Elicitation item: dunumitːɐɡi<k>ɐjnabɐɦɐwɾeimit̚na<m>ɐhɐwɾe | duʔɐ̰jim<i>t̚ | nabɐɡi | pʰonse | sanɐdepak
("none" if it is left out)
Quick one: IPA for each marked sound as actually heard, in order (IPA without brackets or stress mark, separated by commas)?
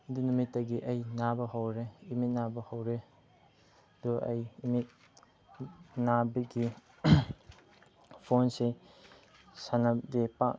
ʔ, b, i